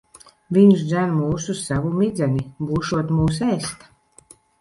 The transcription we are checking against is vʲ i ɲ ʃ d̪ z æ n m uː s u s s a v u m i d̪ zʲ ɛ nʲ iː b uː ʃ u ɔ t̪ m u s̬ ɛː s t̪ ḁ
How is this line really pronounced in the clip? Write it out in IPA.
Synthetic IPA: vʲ i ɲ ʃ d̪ z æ n m uː s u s s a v u m i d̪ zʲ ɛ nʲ i b uː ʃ u ɔ t̪ m uː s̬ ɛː s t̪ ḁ